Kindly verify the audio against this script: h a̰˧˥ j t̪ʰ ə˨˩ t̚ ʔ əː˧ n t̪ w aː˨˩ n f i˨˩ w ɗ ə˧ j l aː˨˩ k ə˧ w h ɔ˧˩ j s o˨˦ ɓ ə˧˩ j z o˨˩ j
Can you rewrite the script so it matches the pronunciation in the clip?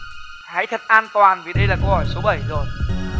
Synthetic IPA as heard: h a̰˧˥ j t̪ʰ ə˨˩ t̚ ʔ aː˧ n t̪ w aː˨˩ n v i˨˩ ɗ ə˧ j l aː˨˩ k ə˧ w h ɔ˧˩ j s o˨˦ ɓ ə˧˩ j z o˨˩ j